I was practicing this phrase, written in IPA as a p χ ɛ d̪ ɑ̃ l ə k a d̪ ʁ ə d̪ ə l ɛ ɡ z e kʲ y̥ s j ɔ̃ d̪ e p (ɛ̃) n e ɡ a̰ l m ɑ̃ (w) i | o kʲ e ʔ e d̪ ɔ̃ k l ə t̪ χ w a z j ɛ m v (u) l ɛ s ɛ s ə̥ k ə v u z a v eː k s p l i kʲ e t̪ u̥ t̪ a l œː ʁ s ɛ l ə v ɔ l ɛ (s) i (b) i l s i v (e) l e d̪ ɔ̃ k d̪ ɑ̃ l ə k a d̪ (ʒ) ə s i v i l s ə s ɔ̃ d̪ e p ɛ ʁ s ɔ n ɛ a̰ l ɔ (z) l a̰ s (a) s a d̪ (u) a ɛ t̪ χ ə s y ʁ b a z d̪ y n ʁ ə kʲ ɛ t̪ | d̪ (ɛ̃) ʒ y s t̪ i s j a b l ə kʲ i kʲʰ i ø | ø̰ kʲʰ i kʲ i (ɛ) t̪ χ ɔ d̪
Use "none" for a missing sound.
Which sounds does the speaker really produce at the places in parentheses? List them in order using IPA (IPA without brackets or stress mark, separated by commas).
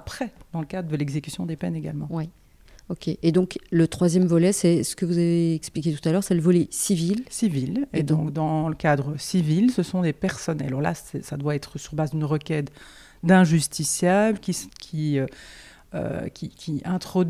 ɛ, w, ɔ, s, v, i, ʁ, ʁ, ɛ, w, ɛ̃, ɛ̃